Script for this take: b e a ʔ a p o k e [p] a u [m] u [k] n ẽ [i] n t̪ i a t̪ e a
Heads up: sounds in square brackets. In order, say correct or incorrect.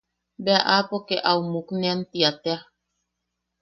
incorrect: ʔ, correct, correct, incorrect: a

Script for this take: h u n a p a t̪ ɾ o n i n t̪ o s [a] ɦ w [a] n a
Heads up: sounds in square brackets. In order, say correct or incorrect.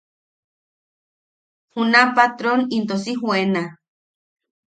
incorrect: i, incorrect: e

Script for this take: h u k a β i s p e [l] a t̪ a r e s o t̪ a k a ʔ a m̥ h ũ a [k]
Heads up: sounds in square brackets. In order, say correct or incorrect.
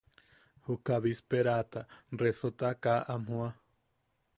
incorrect: ɾ, incorrect: none

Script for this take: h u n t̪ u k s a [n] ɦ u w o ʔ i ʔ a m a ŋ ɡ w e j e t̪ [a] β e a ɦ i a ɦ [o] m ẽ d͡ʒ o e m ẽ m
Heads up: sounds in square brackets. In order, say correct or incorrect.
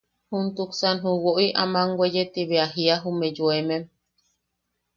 correct, incorrect: i, incorrect: u

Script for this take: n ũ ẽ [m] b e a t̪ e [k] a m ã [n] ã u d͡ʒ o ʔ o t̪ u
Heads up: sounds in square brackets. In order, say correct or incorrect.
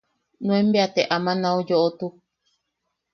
correct, incorrect: ʔ, correct

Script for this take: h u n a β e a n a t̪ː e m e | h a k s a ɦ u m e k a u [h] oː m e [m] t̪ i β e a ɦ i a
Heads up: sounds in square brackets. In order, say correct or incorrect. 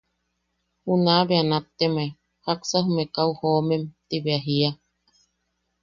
correct, correct

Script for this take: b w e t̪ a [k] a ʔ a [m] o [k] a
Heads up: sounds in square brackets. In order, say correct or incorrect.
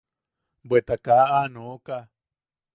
correct, incorrect: n, correct

